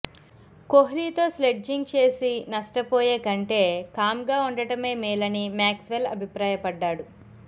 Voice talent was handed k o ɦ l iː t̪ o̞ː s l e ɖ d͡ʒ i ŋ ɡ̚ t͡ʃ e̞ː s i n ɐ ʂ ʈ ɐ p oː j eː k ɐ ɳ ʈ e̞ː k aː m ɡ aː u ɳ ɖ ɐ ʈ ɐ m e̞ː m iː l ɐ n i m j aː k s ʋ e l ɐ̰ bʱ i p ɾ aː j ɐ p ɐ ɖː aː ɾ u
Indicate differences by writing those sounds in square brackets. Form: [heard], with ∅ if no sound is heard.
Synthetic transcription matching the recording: k o ɦ l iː t̪ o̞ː s l e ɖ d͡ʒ i ŋ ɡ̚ t͡ʃ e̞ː s i n ɐ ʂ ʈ ɐ p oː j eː k ɐ ɳ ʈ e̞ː k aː m ɡ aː u ɳ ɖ ɐ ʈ ɐ m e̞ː m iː l ɐ n i m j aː k s ʋ e l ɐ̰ bʱ i p ɾ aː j ɐ p ɐ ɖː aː [ɽ] u